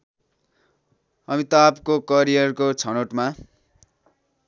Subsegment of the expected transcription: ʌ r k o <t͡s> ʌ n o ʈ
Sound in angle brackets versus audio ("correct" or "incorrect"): incorrect